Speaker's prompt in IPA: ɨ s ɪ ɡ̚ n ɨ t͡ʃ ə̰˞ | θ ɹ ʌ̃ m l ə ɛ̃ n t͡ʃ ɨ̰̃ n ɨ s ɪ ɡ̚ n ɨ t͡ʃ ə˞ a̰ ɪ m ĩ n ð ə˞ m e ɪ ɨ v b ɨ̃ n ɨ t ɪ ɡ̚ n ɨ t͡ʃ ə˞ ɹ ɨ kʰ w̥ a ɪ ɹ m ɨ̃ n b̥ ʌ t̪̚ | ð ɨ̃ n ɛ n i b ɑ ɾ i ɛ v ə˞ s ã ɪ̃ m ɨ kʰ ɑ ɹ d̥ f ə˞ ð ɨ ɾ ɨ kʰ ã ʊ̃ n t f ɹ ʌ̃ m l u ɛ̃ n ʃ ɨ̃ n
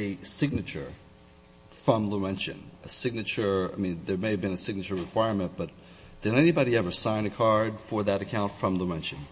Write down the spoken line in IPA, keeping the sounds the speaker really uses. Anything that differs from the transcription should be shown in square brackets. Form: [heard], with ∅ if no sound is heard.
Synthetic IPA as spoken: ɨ s ɪ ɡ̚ n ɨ t͡ʃ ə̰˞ | [f] ɹ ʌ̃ m l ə ɛ̃ n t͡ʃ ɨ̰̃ n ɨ s ɪ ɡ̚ n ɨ t͡ʃ ə˞ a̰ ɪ m ĩ n ð ə˞ m e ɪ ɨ v b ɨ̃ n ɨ [s] ɪ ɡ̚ n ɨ t͡ʃ ə˞ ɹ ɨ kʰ w̥ a ɪ ɹ m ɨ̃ n b̥ ʌ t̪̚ | ð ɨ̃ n ɛ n i b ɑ ɾ i ɛ v ə˞ s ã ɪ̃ [n] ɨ kʰ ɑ ɹ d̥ f ə˞ ð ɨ ɾ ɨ kʰ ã ʊ̃ n t f ɹ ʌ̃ m l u ɛ̃ n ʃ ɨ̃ n